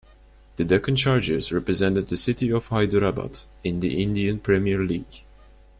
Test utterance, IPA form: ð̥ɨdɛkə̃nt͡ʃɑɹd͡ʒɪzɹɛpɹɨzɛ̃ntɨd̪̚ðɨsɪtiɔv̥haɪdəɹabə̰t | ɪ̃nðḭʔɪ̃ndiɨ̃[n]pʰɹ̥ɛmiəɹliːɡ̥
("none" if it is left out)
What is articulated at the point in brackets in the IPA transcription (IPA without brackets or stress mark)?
n